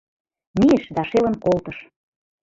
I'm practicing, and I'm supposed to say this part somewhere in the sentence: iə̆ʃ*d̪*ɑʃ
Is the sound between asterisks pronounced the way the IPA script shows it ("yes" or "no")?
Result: yes